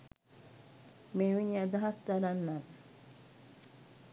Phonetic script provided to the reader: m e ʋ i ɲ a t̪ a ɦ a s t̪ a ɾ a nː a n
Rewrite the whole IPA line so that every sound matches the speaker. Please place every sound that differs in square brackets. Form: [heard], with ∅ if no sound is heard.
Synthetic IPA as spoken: m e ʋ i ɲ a [d̪] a ɦ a s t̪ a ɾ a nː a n